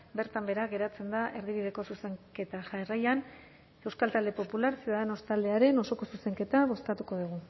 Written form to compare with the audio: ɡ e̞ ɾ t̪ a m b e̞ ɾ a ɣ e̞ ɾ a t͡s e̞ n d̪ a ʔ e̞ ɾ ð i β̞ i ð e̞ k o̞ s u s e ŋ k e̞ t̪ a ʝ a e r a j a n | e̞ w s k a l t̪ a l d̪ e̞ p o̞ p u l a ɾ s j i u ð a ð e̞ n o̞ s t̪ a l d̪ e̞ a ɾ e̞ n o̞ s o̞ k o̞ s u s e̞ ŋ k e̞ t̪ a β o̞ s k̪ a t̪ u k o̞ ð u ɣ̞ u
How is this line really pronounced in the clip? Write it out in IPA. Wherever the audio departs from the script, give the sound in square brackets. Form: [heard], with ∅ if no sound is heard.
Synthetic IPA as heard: [b] e̞ ɾ t̪ a m b e̞ ɾ a ɣ e̞ ɾ a t͡s e̞ n d̪ a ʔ e̞ ɾ ð i β̞ i ð e̞ k o̞ s u s e ŋ k e̞ t̪ a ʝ a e r a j a n | e̞ w s k a l t̪ a l d̪ e̞ p o̞ p u l a ɾ s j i u ð a ð e̞ n o̞ s t̪ a l d̪ e̞ a ɾ e̞ n o̞ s o̞ k o̞ s u s e̞ ŋ k e̞ t̪ a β o̞ s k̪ a t̪ u k o̞ ð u ɣ̞ u